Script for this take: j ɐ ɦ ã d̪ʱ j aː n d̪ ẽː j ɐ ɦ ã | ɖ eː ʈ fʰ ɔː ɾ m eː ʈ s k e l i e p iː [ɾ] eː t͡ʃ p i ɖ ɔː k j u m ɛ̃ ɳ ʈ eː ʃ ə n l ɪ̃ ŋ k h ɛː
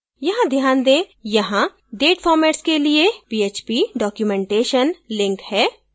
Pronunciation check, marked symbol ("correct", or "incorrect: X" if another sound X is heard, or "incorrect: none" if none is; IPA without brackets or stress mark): incorrect: none